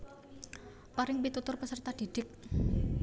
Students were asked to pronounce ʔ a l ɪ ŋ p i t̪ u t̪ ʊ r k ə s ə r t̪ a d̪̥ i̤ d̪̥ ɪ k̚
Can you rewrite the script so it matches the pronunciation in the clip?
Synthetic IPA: p a ɾ ɪ ŋ p i t̪ u t̪ ʊ r p ə s ə r t̪ a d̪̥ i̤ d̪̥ ɪ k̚